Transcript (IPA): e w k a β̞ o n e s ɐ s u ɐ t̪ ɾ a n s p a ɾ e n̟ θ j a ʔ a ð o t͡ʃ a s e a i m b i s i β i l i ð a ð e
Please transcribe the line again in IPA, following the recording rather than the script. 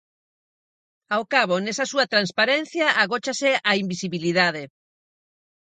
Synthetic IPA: a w k a β̞ o n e s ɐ s u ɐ t̪ ɾ a n s p a ɾ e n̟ θ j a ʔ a ɣ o t͡ʃ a s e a i m b i s i β i l i ð a ð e